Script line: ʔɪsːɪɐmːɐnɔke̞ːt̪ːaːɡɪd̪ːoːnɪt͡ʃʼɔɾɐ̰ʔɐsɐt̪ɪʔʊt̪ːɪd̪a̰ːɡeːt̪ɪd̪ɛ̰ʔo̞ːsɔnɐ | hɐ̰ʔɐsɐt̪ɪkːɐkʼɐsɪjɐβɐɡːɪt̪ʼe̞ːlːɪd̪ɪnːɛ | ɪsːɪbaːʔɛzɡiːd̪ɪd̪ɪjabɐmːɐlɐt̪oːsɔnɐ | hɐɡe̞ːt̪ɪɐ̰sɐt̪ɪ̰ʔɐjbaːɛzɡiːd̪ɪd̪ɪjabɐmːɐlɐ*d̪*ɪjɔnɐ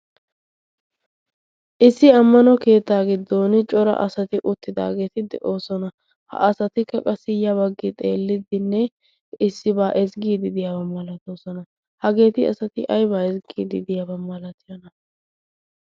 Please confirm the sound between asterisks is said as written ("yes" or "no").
no